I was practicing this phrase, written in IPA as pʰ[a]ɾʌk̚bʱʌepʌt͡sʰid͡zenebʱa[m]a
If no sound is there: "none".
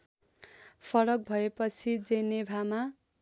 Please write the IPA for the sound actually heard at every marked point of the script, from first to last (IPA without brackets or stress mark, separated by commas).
ʌ, m